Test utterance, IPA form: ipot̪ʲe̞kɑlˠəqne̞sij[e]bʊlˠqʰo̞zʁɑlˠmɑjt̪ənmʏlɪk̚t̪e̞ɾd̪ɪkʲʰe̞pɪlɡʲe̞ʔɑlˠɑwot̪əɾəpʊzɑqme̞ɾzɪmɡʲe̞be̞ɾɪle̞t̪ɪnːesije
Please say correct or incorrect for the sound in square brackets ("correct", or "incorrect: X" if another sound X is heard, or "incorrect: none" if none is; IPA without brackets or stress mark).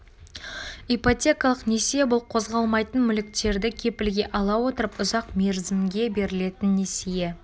correct